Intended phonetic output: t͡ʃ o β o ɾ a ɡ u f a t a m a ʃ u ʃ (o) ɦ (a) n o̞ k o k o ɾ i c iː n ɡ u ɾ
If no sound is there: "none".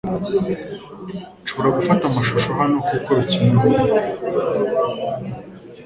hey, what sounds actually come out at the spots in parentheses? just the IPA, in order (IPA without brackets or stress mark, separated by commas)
o, a